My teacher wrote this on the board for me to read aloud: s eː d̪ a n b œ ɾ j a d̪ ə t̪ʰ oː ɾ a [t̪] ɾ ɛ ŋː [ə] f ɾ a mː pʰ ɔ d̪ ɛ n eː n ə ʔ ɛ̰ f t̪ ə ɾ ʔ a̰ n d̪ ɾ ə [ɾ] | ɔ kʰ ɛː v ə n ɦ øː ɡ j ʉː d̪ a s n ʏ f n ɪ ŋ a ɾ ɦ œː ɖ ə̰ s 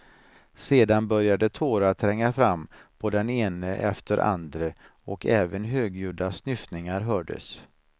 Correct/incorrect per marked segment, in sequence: incorrect: t̪ʰ, incorrect: a, incorrect: none

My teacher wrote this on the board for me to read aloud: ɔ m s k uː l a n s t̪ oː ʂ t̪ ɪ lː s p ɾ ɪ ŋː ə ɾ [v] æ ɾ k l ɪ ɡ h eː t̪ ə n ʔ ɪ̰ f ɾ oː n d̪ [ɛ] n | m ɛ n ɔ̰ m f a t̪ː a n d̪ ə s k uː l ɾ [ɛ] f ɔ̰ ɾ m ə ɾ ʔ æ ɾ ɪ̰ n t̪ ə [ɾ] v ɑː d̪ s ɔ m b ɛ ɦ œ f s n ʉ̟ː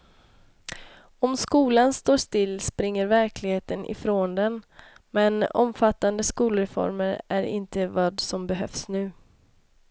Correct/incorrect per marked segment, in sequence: correct, correct, correct, incorrect: none

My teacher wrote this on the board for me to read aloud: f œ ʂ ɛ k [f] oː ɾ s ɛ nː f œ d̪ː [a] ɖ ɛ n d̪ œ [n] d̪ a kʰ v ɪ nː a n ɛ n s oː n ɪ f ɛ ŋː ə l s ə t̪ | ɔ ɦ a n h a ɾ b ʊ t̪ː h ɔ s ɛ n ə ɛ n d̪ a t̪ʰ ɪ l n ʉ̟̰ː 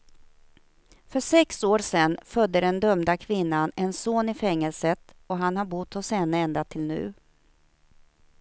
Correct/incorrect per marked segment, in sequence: incorrect: s, incorrect: ə, incorrect: m

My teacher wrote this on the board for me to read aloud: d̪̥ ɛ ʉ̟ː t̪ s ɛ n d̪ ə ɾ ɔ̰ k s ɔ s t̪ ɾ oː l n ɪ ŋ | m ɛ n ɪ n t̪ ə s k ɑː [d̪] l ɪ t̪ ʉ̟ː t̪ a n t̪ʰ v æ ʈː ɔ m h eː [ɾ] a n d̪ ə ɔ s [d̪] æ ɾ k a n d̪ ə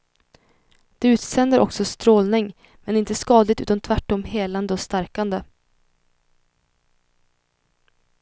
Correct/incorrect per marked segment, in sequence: correct, incorrect: l, incorrect: t̪

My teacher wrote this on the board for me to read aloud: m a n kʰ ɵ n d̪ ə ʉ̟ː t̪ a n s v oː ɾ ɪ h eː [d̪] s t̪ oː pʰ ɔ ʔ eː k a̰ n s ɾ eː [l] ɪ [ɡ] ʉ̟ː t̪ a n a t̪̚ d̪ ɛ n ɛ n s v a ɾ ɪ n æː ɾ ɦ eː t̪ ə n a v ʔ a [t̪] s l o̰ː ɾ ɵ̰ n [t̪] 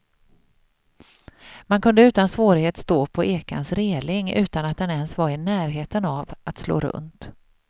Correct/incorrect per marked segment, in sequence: incorrect: t̪, correct, incorrect: ŋ, correct, correct

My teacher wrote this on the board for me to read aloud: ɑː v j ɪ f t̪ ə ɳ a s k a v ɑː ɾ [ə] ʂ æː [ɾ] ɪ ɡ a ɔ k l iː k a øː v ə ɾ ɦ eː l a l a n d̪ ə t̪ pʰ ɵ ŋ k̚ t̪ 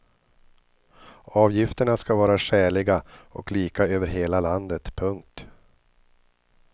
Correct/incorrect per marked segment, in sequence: incorrect: a, incorrect: ɭ

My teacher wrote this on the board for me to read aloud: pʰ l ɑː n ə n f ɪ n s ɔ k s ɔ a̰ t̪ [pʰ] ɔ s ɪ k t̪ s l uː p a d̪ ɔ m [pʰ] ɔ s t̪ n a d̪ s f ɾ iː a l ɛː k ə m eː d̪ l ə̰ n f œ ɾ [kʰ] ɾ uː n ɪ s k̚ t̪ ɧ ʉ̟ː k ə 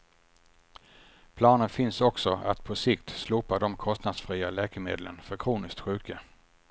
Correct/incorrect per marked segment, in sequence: correct, incorrect: kʰ, correct

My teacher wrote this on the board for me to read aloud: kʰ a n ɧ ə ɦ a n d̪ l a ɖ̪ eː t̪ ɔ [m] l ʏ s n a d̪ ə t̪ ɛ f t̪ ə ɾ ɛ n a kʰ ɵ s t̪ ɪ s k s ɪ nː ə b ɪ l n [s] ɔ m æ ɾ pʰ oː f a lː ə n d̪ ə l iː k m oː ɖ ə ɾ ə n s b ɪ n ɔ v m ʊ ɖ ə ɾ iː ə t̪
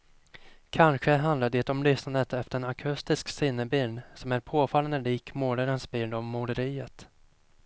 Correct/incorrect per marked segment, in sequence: correct, correct

